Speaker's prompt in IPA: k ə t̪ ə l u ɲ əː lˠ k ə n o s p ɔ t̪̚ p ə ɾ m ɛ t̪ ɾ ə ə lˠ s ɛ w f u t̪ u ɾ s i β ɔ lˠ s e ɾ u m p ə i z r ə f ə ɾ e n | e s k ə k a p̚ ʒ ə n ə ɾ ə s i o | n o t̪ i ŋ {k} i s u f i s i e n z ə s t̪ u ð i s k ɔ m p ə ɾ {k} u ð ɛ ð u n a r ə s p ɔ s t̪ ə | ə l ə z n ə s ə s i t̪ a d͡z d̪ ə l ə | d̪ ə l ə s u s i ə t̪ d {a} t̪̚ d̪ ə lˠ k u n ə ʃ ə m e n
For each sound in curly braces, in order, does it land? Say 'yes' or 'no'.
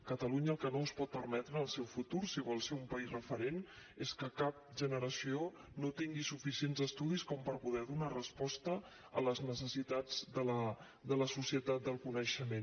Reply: no, no, yes

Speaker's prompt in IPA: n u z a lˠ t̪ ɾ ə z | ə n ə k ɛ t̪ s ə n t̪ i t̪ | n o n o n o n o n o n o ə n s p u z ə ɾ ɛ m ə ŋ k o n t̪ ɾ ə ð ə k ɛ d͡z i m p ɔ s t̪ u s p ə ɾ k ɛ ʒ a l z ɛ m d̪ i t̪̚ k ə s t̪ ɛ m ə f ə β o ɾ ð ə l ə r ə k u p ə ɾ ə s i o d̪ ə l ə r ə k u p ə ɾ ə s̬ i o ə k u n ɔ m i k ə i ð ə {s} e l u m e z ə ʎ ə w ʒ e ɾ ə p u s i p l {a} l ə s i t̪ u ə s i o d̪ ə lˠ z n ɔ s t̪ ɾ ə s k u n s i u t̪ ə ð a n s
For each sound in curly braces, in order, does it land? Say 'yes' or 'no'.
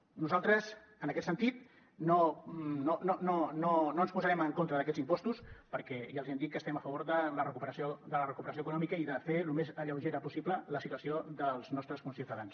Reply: no, no

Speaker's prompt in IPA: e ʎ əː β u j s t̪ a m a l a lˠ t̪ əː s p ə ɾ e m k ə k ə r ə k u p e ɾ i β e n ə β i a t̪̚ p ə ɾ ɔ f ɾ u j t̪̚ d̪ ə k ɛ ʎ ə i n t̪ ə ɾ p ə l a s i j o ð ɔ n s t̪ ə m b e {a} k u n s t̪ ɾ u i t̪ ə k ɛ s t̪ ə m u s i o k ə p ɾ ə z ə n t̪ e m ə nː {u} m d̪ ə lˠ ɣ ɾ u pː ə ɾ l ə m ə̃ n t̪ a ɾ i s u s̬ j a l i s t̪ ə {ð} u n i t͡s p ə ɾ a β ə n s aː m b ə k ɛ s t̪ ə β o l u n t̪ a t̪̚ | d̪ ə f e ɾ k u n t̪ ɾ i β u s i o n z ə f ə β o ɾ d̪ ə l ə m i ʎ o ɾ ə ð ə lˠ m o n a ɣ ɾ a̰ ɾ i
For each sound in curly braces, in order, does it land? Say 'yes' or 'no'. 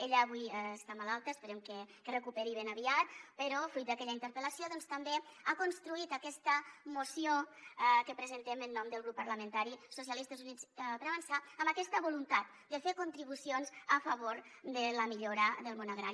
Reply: yes, no, no

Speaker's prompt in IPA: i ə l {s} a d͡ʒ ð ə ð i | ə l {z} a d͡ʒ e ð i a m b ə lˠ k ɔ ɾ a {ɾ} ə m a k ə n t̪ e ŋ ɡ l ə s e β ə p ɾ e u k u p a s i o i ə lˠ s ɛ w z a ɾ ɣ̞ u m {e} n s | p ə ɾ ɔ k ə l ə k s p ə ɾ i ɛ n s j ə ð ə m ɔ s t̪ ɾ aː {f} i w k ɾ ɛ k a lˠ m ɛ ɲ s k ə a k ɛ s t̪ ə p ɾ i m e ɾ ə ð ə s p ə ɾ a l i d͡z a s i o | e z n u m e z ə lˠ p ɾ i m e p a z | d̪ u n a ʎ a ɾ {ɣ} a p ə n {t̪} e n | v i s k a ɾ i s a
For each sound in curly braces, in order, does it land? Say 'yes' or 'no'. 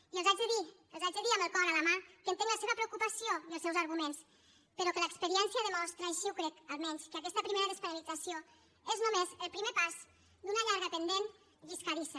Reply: no, yes, no, yes, no, yes, no

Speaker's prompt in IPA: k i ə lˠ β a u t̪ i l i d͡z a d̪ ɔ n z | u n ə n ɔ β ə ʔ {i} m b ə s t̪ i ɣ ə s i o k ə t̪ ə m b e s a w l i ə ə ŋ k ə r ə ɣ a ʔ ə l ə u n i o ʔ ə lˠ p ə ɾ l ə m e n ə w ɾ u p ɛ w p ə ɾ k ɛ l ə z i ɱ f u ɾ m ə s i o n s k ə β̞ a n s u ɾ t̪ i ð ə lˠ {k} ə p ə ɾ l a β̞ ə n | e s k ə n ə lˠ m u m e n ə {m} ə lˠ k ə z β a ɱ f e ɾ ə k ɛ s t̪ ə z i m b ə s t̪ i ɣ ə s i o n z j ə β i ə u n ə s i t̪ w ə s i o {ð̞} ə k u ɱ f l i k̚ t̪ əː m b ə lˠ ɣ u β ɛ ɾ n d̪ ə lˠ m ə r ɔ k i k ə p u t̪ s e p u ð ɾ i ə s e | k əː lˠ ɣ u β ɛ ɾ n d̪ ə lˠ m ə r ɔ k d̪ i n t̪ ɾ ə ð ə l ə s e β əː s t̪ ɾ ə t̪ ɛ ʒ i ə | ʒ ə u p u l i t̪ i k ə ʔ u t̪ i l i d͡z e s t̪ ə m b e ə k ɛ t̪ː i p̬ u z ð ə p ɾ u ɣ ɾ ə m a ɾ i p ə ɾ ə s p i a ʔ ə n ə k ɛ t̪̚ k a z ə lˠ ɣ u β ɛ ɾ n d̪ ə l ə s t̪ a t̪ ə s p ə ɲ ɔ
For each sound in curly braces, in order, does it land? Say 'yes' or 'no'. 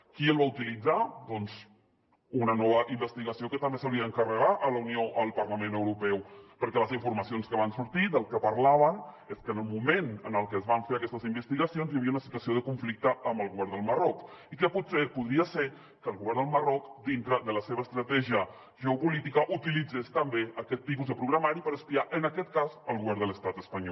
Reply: yes, yes, no, yes

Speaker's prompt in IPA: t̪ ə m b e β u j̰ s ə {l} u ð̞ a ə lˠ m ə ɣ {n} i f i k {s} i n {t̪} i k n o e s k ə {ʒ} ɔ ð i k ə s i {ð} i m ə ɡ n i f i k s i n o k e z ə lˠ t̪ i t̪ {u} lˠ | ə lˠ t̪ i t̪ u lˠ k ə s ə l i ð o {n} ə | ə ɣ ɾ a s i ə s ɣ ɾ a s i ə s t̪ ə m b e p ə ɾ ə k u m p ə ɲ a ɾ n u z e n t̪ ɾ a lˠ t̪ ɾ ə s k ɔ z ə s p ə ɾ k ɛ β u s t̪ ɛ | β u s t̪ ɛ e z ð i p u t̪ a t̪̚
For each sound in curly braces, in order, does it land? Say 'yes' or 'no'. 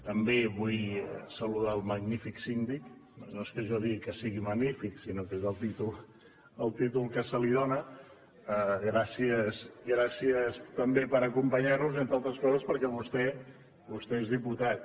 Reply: yes, yes, yes, no, yes, no, yes, yes

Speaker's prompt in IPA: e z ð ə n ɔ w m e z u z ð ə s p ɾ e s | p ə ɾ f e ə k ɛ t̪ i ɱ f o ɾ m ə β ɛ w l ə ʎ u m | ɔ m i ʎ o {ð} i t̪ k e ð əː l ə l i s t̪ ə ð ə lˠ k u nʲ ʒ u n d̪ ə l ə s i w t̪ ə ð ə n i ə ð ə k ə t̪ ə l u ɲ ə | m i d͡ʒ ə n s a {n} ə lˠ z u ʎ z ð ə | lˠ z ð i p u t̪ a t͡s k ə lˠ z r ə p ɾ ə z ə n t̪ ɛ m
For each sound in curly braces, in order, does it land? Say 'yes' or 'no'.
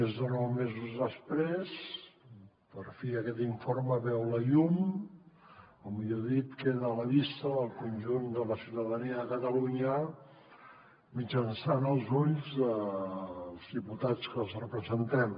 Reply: yes, yes

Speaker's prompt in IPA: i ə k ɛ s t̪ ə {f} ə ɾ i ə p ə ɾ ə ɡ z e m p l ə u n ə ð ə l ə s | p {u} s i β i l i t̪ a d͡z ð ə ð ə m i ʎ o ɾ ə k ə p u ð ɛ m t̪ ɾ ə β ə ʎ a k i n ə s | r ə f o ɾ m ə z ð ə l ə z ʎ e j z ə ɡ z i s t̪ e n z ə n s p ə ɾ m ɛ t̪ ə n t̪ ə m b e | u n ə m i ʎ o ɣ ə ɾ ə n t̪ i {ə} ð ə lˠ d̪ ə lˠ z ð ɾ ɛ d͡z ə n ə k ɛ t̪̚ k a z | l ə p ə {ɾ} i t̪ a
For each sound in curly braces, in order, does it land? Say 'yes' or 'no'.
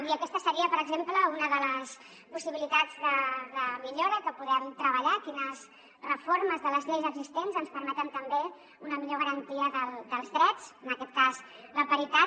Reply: no, yes, yes, yes

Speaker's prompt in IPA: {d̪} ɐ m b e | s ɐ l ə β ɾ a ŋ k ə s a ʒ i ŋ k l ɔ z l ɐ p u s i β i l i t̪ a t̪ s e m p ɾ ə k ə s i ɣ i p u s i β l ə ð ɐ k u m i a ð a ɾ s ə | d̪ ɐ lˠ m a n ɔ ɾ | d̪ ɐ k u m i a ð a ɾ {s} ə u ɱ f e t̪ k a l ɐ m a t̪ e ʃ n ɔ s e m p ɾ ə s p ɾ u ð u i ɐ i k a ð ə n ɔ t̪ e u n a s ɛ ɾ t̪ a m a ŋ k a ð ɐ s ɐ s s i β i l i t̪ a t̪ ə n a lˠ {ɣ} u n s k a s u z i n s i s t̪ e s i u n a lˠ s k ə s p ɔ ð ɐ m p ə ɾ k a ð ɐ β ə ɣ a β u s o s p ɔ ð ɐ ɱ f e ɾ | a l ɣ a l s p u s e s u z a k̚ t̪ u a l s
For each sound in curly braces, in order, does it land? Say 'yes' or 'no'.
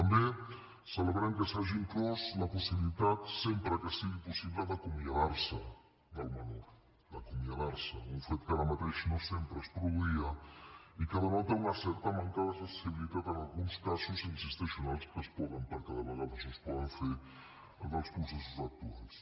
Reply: no, yes, yes

